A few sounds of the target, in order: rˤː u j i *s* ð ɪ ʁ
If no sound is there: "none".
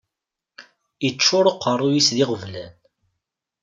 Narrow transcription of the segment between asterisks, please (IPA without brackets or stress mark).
s